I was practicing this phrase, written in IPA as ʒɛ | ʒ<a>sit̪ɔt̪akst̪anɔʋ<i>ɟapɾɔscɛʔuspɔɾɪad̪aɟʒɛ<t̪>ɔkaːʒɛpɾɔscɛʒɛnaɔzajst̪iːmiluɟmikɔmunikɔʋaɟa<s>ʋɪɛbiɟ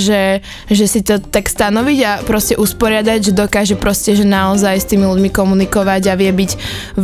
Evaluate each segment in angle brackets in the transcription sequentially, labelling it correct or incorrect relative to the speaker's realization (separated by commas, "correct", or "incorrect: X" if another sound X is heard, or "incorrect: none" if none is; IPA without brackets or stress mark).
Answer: incorrect: ɛ, correct, incorrect: d̪, incorrect: none